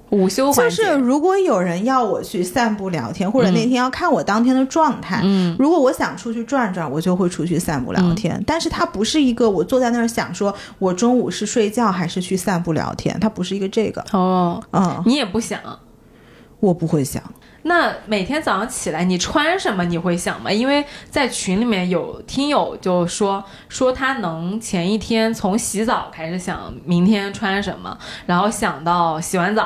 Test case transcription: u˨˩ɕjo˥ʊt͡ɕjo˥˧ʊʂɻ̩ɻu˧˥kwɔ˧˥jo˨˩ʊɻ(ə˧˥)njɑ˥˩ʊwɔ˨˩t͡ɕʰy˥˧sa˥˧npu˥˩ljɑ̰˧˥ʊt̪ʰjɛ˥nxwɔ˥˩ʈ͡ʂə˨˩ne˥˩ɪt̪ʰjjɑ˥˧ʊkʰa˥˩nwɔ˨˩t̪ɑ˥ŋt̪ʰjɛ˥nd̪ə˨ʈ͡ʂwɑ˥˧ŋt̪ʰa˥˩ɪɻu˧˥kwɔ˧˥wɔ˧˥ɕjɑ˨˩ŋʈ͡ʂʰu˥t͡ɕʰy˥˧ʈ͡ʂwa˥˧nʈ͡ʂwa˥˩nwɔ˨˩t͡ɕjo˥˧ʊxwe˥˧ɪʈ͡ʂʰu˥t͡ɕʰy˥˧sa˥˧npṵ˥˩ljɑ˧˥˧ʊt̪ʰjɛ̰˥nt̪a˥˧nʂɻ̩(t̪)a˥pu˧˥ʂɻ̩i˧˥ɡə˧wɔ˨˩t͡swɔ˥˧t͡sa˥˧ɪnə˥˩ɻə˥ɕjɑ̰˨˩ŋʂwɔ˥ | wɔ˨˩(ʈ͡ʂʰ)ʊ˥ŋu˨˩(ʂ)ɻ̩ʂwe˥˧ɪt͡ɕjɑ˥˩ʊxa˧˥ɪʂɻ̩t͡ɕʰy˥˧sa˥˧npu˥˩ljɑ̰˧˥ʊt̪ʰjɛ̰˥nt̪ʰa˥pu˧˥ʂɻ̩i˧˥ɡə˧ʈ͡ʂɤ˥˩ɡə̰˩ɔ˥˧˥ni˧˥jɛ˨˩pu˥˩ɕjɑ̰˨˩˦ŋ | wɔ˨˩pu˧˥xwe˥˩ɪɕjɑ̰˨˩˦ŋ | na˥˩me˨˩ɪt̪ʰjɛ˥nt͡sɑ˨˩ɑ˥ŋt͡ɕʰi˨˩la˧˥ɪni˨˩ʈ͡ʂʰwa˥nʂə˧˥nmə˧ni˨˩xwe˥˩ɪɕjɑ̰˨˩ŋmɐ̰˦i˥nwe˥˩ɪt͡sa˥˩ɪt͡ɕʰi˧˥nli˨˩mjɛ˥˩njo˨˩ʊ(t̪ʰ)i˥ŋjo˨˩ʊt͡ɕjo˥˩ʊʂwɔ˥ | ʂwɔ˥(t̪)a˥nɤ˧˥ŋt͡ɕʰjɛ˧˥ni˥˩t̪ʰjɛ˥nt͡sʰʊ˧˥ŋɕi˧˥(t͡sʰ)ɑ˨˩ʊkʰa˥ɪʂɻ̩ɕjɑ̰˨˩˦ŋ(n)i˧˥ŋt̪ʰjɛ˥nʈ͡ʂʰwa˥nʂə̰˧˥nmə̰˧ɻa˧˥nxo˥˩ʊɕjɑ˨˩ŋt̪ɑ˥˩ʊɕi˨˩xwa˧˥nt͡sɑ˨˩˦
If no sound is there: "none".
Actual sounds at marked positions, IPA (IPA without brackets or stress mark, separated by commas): ə˧˥, t̪ʰ, ʈ͡ʂ, ʂ, t̪ʰ, t̪ʰ, t͡s, m